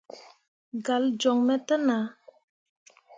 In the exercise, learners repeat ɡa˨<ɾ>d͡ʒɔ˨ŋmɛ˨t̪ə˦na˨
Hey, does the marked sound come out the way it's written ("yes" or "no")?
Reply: no